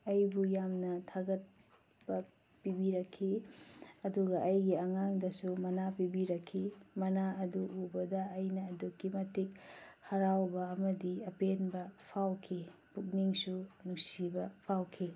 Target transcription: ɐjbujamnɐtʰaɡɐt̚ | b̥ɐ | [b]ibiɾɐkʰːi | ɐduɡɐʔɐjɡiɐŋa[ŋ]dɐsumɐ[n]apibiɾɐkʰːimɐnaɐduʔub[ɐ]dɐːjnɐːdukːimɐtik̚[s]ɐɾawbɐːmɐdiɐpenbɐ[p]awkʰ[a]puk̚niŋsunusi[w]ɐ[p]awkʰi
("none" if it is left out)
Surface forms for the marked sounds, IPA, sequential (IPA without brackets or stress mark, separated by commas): p, ŋ, n, ɐ, h, pʰ, i, b, pʰ